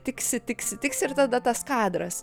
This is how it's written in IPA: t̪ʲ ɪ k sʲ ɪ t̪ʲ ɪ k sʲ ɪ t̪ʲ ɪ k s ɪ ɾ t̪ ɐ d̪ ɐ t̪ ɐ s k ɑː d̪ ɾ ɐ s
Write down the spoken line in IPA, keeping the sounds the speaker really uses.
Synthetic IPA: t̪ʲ ɪ k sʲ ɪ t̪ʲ ɪ k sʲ ɪ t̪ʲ ɪ k s ɪ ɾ t̪ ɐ d̪ ɐ t̪ ɐ s k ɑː d̪ ɾ ɐ s

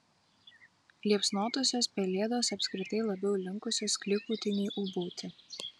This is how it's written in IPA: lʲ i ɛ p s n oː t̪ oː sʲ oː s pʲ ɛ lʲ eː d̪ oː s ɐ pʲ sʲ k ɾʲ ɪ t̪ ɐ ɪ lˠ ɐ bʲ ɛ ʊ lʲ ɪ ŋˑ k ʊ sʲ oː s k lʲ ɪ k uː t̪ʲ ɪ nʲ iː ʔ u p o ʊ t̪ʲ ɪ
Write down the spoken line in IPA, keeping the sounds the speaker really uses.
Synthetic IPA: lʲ i ɛ p s n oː t̪ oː sʲ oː s pʲ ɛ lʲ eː d̪ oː s ɐ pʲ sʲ k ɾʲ ɪ t̪ ɐ ɪ lˠ ɐ bʲ ɛ ʊ lʲ ɪ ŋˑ k ʊ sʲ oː s k lʲ ɪ k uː t̪ʲ ɪ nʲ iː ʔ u b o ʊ t̪ʲ ɪ

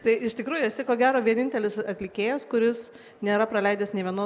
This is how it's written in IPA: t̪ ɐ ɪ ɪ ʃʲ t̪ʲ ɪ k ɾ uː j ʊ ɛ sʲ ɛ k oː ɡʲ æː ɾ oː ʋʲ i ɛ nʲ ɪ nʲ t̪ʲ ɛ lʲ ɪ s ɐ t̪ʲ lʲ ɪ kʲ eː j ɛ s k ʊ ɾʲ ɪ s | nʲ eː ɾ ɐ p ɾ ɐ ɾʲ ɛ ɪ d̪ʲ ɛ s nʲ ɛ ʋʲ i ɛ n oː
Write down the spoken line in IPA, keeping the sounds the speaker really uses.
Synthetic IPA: t̪ ɐ ɪ ɪ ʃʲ t̪ʲ ɪ k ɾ uː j ʊ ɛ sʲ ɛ k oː ɡʲ æː ɾ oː ʋʲ i ɛ nʲ ɪ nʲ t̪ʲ ɛ lʲ ɪ s ɐ t̪ʲ lʲ ɪ kʲ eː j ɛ s k ʊ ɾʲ ɪ s | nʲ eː ɾ ɐ p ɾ ɐ lʲ ɛ ɪ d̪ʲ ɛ s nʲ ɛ ʋʲ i ɛ n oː

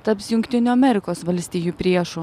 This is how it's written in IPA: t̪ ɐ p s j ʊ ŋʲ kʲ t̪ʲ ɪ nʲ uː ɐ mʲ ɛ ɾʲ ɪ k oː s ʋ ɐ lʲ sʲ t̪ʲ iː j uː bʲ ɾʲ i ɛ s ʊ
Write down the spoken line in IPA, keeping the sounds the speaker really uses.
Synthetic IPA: t̪ ɐ p s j ʊ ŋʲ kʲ t̪ʲ ɪ nʲ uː ɐ mʲ ɛ ɾʲ ɪ k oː s ʋ ɐ lʲ sʲ t̪ʲ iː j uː pʲ ɾʲ i ɛ ʃ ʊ

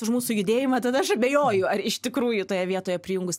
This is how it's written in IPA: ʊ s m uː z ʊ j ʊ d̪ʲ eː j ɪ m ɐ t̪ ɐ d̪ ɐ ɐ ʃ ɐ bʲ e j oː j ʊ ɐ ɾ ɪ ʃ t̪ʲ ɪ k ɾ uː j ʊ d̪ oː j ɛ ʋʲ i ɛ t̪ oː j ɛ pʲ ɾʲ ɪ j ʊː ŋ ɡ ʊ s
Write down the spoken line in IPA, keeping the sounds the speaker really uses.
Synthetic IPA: ʊ ʃ m uː s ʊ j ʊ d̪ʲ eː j ɪ m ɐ t̪ ɐ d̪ ɐ ɐ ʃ ɐ bʲ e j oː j ʊ ɐ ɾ ɪ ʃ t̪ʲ ɪ k ɾ uː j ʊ t̪ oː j ɛ ʋʲ i ɛ t̪ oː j ɛ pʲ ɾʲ ɪ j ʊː ŋ ɡ ʊ s

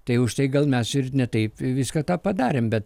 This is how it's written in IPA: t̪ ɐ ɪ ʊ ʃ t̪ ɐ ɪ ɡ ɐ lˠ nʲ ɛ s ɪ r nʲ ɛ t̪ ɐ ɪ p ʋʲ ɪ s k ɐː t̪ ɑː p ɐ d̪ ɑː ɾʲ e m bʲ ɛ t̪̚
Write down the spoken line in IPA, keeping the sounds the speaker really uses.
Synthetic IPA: t̪ ɐ ɪ ʊ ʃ t̪ ɐ ɪ ɡ ɐ lˠ mʲ ɛ s ɪ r nʲ ɛ t̪ ɐ ɪ p ʋʲ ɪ s k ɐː t̪ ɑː p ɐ d̪ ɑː ɾʲ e m bʲ ɛ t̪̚

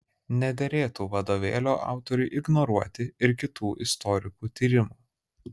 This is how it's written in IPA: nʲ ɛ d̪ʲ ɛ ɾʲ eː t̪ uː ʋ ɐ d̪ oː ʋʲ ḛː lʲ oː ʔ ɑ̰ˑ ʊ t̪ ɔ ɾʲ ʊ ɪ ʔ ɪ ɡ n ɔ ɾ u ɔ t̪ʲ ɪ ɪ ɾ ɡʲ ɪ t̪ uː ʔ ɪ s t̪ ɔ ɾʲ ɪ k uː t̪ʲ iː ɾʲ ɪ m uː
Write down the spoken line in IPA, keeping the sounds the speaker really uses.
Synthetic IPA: nʲ ɛ d̪ʲ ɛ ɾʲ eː t̪ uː ʋ ɐ d̪ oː ʋʲ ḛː lʲ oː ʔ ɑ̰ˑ ʊ t̪ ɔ ɾʲ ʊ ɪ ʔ ɪ ɡ n ɔ ɾ u ɔ t̪ʲ ɪ ɪ ɾ kʲ ɪ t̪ uː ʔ ɪ s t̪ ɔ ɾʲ ɪ k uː t̪ʲ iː ɾʲ ɪ m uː

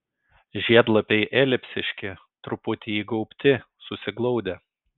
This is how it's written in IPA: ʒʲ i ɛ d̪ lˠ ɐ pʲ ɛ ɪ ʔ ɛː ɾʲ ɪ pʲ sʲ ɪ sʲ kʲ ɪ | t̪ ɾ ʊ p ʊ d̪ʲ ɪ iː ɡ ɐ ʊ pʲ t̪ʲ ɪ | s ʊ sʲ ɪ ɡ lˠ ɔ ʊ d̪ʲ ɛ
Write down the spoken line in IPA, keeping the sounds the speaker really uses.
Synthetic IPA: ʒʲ i ɛ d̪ lˠ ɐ pʲ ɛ ɪ ʔ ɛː lʲ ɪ pʲ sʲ ɪ ʃʲ kʲ ɪ | t̪ ɾ ʊ p ʊ t̪ʲ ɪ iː ɡ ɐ ʊ pʲ t̪ʲ ɪ | s ʊ sʲ ɪ ɡ lˠ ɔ ʊ d̪ʲ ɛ

